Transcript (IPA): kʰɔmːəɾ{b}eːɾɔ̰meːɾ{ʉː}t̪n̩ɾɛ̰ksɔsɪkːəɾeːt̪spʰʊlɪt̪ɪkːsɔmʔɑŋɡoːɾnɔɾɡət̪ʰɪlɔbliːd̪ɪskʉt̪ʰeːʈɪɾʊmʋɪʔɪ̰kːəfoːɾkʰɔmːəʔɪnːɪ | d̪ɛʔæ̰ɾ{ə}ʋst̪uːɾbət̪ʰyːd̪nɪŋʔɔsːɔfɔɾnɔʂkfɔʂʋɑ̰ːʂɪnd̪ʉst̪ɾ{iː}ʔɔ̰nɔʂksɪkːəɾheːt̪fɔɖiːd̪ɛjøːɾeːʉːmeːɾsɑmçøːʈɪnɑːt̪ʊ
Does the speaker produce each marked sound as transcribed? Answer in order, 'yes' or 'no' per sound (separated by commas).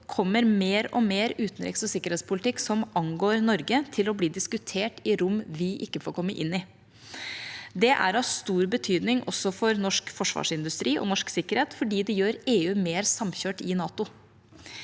no, yes, no, yes